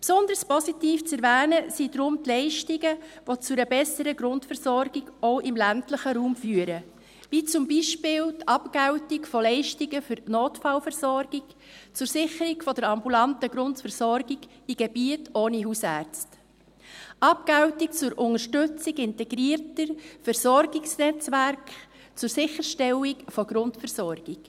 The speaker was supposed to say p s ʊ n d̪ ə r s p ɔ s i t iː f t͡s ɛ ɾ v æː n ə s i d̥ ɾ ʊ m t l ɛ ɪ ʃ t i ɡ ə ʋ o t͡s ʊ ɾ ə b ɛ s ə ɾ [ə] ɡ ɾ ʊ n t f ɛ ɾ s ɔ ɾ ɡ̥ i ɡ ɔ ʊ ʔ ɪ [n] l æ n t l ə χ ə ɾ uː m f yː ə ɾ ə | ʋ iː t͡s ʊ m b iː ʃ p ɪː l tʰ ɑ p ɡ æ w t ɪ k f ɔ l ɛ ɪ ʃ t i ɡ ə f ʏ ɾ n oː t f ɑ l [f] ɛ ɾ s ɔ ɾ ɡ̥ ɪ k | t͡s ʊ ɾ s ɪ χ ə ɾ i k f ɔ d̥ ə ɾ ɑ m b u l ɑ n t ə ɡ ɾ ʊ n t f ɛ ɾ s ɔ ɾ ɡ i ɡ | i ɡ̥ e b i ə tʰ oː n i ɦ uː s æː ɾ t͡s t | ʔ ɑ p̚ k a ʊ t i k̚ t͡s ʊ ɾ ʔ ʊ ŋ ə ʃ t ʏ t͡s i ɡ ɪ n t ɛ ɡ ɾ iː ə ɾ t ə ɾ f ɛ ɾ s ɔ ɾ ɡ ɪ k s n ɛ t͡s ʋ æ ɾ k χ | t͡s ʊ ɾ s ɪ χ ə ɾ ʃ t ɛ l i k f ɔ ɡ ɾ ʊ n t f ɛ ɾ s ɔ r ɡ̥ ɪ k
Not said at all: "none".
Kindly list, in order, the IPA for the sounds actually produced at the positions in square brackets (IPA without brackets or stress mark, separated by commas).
ə, m, f